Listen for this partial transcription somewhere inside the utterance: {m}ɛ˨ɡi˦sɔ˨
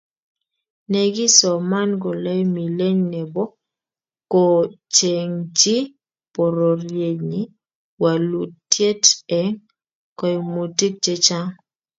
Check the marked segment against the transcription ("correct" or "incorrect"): incorrect